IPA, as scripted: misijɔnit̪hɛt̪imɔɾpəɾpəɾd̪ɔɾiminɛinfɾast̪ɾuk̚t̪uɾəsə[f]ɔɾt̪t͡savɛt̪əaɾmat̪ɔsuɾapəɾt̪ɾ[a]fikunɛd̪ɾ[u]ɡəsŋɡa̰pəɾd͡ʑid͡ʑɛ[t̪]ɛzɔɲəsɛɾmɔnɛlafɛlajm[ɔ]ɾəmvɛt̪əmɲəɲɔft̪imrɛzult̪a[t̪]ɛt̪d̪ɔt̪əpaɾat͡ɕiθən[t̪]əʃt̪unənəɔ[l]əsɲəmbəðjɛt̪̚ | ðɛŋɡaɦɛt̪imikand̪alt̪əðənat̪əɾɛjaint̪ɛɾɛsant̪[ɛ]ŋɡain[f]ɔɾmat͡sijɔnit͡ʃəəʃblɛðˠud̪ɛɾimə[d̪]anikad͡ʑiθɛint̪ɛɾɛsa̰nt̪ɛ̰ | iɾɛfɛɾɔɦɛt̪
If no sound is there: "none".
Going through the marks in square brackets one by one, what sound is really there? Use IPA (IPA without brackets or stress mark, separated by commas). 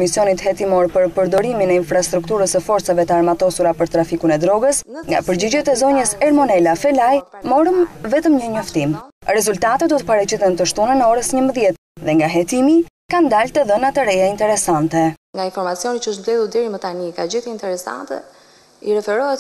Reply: f, a, ɔ, t̪, ɔ, t̪, t̪, ɾ, ɛ, f, t̪